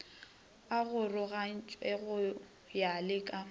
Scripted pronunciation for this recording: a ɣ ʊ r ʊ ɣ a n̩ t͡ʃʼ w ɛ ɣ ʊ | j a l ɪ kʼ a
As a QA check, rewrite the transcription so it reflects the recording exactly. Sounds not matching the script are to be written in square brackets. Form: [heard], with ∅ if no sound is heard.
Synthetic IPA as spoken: a ɣ ʊ r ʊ ɣ a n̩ t͡ʃʼ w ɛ ɣ ʊ | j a l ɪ kʼ a

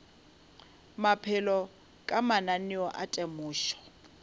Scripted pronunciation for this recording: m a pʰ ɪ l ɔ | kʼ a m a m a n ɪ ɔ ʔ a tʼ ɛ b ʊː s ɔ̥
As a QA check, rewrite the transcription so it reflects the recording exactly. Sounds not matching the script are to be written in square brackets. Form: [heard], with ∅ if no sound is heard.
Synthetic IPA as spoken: m a pʰ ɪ l ɔ | kʼ a m a [n] a n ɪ ɔ ʔ a tʼ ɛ [m] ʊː [ʃ] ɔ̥

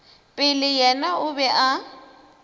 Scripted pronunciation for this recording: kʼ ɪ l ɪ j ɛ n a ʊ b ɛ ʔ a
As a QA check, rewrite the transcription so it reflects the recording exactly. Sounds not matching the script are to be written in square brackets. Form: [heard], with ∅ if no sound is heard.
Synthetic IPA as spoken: [pʼ] ɪ l ɪ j ɛ n a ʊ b ɛ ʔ a

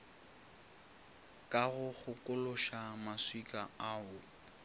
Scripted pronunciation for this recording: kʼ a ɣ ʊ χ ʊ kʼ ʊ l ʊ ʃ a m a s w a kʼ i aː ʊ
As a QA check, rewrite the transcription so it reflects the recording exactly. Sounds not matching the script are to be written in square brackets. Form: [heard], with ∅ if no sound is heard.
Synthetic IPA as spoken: kʼ a ɣ ʊ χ ʊ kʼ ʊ l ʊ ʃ a m a s w [i] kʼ [a] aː ʊ

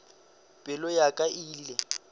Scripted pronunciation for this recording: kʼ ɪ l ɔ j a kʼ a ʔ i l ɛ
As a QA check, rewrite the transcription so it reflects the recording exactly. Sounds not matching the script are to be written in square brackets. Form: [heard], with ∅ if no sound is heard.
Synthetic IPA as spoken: [pʼ] ɪ l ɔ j a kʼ a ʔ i l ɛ

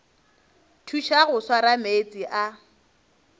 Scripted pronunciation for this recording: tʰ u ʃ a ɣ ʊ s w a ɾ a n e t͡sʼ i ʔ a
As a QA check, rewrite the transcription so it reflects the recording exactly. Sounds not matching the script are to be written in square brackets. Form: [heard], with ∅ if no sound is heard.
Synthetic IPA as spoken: tʰ u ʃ a ɣ ʊ s w a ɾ a [m] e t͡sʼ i ʔ a

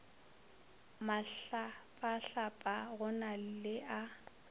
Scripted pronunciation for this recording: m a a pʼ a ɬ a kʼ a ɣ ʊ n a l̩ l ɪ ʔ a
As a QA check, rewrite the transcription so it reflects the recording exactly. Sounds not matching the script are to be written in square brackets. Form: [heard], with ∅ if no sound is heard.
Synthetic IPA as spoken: m a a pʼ a ɬ a [pʼ] a ɣ ʊ n a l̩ l ɪ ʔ a

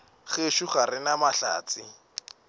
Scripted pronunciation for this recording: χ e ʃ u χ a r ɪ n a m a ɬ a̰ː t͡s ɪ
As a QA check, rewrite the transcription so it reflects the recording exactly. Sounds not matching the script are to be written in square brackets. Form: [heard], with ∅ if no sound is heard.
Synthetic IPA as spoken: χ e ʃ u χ a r ɪ n a m a ɬ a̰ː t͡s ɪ

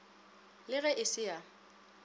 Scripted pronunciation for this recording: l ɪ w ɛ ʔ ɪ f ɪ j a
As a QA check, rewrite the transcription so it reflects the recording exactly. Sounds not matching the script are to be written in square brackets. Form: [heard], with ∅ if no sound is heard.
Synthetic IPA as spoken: l ɪ [ɣ] ɛ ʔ ɪ [s] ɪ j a

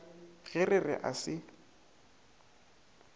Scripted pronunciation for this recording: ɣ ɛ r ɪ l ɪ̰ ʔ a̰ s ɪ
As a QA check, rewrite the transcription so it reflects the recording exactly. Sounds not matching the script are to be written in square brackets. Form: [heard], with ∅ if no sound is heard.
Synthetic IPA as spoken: ɣ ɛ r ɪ [r] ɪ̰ ʔ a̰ s ɪ

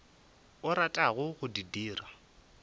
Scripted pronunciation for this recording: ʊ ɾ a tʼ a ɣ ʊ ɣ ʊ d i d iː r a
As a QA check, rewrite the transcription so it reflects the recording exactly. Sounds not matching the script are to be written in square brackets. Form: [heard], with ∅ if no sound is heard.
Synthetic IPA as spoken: ʊ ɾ a tʼ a ɣ ʊ ɣ ʊ d i d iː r a

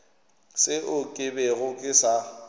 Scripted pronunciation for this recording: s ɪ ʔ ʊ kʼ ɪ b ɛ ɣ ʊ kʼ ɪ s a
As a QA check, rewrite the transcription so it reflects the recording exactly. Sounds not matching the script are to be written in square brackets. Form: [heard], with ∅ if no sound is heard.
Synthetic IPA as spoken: s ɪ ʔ ʊ kʼ ɪ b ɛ ɣ ʊ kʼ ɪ s a

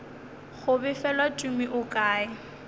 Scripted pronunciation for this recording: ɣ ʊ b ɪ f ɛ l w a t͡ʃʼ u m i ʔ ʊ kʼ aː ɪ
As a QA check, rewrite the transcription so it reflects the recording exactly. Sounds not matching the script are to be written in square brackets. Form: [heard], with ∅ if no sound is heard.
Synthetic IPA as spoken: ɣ ʊ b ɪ f ɛ l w a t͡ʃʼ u m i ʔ ʊ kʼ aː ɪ

